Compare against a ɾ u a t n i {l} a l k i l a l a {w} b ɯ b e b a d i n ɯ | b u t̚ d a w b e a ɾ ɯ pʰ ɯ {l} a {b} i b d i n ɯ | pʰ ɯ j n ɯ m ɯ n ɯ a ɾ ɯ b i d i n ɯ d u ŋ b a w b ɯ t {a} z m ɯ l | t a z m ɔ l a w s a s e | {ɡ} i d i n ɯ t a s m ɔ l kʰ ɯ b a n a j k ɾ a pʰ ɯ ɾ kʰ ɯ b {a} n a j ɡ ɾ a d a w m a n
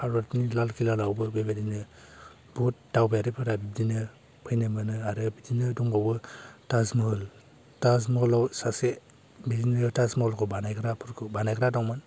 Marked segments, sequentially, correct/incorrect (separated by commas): correct, correct, incorrect, correct, correct, incorrect, correct